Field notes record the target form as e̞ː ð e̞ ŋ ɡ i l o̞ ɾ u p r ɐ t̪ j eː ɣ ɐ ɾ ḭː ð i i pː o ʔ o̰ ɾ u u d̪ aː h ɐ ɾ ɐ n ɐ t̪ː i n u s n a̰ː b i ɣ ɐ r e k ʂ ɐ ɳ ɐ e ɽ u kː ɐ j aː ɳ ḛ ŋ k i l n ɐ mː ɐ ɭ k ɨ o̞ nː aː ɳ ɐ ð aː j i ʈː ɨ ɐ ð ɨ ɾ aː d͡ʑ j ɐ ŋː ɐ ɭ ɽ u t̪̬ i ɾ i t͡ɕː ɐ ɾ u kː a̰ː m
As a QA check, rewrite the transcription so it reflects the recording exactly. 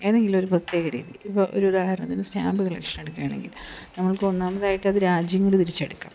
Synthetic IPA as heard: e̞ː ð e̞ ŋ ɡ i l o̞ ɾ u p r ɐ t̪ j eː ɣ ɐ ɾ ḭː ð i i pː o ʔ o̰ ɾ u u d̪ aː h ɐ ɾ ɐ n ɐ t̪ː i n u s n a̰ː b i ɣ ɐ ɭ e k ʂ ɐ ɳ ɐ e ɽ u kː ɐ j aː ɳ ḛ ŋ ɡ i l n ɐ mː ɐ ɭ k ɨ o̞ nː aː m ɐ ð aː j i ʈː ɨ ɐ ð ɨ ɾ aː d͡ʑ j ɐ ŋː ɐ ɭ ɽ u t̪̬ i ɾ i t͡ɕː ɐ ɽ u kː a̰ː m

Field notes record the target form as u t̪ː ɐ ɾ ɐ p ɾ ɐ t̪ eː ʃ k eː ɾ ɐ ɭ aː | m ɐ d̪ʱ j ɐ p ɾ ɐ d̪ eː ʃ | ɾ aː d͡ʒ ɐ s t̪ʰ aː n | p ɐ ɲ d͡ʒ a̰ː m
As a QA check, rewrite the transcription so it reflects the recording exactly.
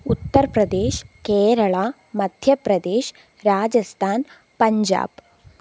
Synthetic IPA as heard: u t̪ː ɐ ɾ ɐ p ɾ ɐ d̪ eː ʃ k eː ɾ ɐ ɭ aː | m ɐ d̪ʱ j ɐ p ɾ ɐ d̪ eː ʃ | ɾ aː d͡ʒ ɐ s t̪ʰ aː n | p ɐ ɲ d͡ʒ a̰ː b

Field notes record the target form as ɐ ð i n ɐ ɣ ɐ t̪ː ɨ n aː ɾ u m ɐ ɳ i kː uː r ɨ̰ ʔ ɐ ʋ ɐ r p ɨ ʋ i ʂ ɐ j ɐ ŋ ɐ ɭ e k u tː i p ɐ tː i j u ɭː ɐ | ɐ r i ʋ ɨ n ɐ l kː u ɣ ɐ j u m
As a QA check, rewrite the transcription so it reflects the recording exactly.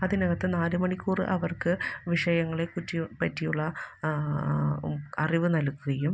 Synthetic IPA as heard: ɐ ð i n ɐ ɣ ɐ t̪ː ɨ n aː ɾ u m ɐ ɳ i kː uː r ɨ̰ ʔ ɐ ʋ ɐ r k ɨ ʋ i ʂ ɐ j ɐ ŋː ɐ ɭ e k u tː i p ɐ tː i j u ɭː ɐ | ɐ r i ʋ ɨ n ɐ l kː u ɣ ɐ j u m

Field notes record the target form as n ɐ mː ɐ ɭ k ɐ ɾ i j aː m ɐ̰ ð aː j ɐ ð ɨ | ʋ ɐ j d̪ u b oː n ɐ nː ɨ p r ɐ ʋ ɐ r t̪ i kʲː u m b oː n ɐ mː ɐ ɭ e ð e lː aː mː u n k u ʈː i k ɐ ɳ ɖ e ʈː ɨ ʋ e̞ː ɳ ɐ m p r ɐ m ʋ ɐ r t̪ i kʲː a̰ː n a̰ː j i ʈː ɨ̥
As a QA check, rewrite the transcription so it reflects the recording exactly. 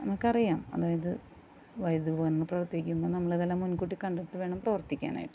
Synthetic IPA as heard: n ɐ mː ɐ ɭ k ɐ r i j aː m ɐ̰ ð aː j ɐ ð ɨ | ʋ ɐ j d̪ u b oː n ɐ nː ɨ p r ɐ ʋ ɐ r t̪ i kʲː u m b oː n ɐ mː ɐ ɭ e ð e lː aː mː u n k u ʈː i k ɐ ɳ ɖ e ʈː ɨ ʋ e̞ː ɳ ɐ m p r ɐ ʋ ɐ r t̪ i kʲː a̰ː n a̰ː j i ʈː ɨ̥

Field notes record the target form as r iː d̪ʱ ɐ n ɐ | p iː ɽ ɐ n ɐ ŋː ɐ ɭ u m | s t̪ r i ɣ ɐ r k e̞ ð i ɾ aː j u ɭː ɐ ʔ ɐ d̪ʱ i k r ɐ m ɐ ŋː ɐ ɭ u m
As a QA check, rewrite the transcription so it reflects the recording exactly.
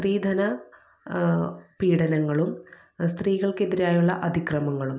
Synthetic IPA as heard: r iː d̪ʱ ɐ n ɐ | p iː ɽ ɐ n ɐ ŋː ɐ ɭ u m | s t̪ r iː ɣ ɐ ɭ k e̞ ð i ɾ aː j u ɭː ɐ ʔ ɐ d̪ʱ i k r ɐ m ɐ ŋː ɐ ɭ u m

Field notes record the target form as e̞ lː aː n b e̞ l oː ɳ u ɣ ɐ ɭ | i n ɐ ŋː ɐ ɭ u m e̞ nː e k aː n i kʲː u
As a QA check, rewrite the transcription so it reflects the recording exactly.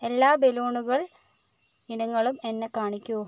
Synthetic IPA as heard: e̞ lː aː b e̞ l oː ɳ u ɣ ɐ ɭ | i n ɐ ŋː ɐ ɭ u m e̞ nː e k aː ɳ i kʲː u

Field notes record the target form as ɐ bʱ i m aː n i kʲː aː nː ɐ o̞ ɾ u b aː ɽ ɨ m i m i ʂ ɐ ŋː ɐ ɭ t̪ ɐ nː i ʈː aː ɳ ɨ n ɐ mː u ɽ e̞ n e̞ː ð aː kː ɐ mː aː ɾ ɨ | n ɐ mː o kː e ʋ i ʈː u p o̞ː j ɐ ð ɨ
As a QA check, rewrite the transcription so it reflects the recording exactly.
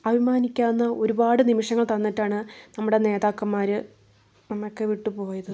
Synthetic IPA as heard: ɐ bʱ i m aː n i kʲː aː nː ɐ o̞ ɾ u b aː ɽ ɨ n i m i ʂ ɐ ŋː ɐ ɭ t̪ ɐ nː i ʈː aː ɳ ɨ n ɐ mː u ɽ e̞ n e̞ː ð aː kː ɐ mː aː ɾ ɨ | n ɐ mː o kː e ʋ i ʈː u p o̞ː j ɐ ð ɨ

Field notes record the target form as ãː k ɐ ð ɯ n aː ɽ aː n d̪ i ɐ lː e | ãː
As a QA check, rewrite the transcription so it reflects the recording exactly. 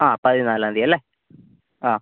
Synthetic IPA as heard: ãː p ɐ ð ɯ n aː l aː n d̪ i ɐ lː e | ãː

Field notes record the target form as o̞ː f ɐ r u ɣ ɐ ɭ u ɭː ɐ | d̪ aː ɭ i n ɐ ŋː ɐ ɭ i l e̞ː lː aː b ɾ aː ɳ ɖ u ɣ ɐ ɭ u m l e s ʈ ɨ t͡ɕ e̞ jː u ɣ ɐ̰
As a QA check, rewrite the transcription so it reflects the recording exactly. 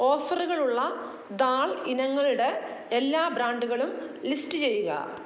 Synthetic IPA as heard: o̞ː f ɐ r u ɣ ɐ ɭ u ɭː ɐ | d̪ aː ɭ i n ɐ ŋː ɐ ɭ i ɽ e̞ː lː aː b ɾ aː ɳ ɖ u ɣ ɐ ɭ u m l i s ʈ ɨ t͡ɕ e̞ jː u ɣ ɐ̰

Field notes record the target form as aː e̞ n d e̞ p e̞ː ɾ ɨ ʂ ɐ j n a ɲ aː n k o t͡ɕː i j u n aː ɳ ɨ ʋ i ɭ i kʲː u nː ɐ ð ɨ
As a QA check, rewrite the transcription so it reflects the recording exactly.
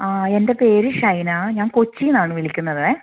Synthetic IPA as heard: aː e̞ n d e̞ p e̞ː ɾ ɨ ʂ ɐ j n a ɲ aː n k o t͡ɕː i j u n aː ɳ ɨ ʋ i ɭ i kʲː u nː ɐ ð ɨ

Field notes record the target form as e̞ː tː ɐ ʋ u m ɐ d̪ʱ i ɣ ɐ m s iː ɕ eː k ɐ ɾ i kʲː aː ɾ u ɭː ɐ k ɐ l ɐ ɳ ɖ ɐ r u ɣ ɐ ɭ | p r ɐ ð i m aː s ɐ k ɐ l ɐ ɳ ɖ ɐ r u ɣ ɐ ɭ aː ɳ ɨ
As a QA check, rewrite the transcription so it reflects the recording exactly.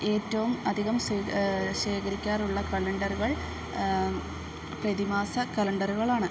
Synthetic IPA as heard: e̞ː tː ɐ ʋ u m ɐ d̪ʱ i ɣ ɐ m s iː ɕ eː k ɐ ɾ i kʲː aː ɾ u ɭː ɐ k ɐ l ɐ ɳ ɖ ɐ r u ɣ ɐ ɭ | p r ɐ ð i m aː s ɐ k ɐ l ɐ ɳ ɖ ɐ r u ɣ ɐ ɭ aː ɳ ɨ

